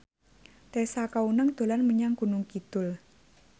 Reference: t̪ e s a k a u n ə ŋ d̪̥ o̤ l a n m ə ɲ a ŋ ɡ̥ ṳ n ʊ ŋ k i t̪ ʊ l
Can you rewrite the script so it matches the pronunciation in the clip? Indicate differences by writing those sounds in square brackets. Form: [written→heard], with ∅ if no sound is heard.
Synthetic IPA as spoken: t̪ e s a k a u n ə ŋ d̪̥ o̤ l a n m ə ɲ a ŋ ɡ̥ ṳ n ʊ ŋ k i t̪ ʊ l